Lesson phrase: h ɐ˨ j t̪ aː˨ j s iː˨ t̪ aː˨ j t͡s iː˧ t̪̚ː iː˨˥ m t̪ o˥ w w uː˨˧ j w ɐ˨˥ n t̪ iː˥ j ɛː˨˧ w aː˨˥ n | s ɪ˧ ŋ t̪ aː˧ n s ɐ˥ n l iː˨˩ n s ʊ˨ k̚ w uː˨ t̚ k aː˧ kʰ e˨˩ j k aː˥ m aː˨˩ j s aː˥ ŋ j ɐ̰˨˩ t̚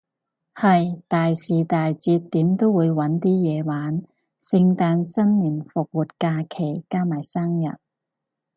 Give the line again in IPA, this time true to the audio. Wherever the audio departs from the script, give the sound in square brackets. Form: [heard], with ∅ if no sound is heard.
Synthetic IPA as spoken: h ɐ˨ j t̪ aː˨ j s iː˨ t̪ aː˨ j t͡s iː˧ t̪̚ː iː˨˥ m t̪ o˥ w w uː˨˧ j w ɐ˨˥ n t̪ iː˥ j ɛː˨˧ w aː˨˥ n | s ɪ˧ ŋ t̪ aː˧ n s ɐ˥ n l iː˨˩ n [f] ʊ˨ k̚ w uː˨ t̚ k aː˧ kʰ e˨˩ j k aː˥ m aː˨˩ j s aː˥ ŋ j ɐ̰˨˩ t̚